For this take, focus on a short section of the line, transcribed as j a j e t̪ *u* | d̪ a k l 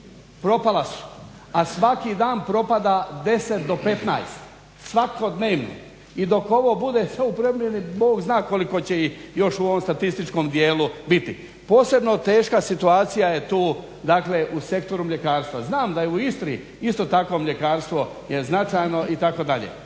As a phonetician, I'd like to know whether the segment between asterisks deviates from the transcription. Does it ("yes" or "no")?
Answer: yes